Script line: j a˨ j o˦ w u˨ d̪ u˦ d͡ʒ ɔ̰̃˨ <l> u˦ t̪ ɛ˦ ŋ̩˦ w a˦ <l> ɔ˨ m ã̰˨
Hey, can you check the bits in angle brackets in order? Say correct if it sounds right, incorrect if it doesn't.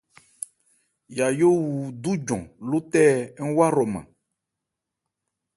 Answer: correct, incorrect: ɾ

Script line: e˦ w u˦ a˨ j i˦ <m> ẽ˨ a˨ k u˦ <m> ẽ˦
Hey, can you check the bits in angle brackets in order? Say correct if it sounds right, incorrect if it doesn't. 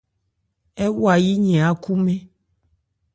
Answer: incorrect: ɲ, correct

